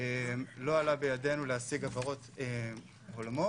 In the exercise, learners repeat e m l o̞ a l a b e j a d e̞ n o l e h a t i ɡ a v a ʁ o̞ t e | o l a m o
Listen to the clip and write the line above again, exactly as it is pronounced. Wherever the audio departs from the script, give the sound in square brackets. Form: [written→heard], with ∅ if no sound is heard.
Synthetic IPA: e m l o̞ a l a b e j a d e̞ n [o→u] l e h a [t→s] i ɡ a v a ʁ o̞ t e | o l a m o